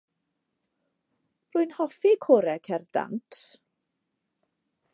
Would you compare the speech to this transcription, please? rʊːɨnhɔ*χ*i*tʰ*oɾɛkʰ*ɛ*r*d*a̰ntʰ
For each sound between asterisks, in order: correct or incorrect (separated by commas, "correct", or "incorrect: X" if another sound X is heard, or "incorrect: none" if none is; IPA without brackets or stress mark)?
incorrect: f, incorrect: kʰ, correct, correct